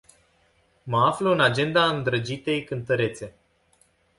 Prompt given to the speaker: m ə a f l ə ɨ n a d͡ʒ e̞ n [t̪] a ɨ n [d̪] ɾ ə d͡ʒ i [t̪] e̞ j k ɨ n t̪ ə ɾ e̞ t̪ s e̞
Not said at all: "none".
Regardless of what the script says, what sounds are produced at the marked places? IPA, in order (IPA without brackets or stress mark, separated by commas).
d̪, d̪, t̪